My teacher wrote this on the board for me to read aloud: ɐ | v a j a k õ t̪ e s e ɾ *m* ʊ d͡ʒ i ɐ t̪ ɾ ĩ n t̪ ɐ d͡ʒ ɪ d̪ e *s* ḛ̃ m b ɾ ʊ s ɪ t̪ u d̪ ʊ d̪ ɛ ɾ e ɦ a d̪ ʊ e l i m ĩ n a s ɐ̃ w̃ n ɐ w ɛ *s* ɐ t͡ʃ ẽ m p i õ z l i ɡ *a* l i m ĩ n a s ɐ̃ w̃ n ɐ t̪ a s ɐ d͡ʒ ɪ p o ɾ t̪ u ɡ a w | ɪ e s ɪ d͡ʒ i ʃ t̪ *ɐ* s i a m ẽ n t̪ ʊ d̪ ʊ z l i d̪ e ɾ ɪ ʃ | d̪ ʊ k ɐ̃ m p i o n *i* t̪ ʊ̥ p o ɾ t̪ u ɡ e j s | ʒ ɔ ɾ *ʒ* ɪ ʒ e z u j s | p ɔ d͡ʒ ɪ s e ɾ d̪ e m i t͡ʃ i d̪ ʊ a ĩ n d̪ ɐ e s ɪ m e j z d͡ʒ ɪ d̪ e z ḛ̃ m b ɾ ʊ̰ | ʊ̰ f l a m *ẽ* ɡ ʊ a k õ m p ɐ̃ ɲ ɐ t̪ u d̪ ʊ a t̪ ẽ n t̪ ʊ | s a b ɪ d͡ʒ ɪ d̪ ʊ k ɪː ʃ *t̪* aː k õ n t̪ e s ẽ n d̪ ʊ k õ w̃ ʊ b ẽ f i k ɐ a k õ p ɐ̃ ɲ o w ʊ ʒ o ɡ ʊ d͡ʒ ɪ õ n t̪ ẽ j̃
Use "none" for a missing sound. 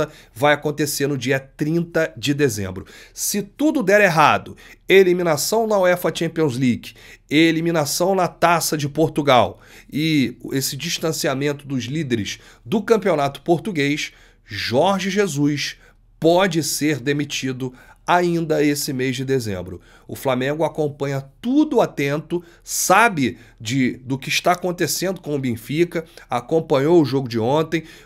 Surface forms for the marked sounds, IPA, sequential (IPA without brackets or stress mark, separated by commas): n, z, f, e, ɐ̃, a, ʒ, ẽ, t̪